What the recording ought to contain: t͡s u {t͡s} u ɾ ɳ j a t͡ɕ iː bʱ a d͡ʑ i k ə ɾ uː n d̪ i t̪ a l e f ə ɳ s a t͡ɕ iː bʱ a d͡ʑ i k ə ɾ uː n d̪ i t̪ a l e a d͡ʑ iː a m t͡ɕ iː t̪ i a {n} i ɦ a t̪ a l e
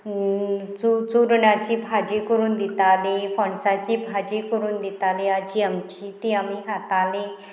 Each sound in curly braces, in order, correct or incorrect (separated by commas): correct, incorrect